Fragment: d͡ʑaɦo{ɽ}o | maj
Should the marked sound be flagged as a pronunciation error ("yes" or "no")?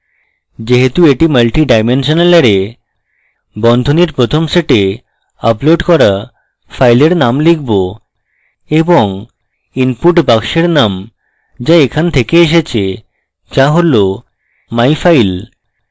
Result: yes